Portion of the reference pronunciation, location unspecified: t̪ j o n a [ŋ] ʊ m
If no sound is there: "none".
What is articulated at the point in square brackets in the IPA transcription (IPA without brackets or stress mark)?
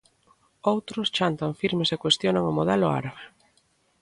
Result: ŋ